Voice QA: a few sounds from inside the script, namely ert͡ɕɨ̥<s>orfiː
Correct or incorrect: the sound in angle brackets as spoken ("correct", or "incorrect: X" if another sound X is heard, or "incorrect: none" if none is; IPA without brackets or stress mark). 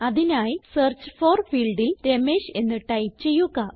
incorrect: f